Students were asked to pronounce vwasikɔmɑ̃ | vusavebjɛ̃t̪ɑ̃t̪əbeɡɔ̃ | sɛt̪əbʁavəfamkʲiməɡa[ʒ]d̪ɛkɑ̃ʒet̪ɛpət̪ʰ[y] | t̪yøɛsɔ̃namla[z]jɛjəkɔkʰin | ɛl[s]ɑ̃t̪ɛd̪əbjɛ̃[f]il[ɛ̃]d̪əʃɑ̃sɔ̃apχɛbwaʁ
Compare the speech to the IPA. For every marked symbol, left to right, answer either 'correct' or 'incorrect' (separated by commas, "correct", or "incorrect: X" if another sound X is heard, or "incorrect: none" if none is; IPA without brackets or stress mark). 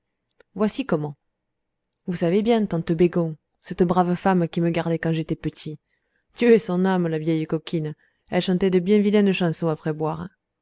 incorrect: ʁ, incorrect: i, incorrect: v, incorrect: ʃ, incorrect: v, correct